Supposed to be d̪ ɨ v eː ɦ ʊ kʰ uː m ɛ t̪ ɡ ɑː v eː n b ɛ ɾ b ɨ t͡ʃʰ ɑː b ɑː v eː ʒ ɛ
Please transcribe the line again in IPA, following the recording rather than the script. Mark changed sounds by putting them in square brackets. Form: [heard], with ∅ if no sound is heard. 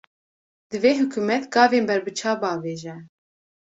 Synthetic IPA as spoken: d̪ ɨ v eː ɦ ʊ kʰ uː m ɛ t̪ ɡ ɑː v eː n b ɛ ɾ b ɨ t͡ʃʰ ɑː b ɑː v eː ʒ ɛ